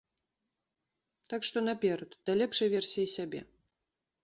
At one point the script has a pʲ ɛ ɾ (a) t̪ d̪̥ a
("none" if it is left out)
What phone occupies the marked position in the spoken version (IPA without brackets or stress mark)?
ɐ